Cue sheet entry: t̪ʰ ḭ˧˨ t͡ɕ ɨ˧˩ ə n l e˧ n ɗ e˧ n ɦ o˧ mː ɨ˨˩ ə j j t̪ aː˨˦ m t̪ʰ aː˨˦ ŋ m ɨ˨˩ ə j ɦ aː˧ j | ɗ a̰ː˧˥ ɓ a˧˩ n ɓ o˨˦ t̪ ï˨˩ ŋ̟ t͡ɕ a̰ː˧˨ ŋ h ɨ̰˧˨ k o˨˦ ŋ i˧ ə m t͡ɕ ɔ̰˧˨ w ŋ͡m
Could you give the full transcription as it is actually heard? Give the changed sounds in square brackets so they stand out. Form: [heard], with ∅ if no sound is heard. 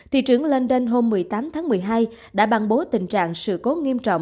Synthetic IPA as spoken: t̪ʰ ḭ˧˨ t͡ɕ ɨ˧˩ ə [ŋ] l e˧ n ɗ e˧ n ɦ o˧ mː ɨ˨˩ ə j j t̪ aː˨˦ m t̪ʰ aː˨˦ ŋ m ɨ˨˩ ə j ɦ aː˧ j | ɗ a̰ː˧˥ ɓ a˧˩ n ɓ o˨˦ t̪ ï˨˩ ŋ̟ t͡ɕ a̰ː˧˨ ŋ [s] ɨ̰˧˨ k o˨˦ ŋ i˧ ə m t͡ɕ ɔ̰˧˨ w ŋ͡m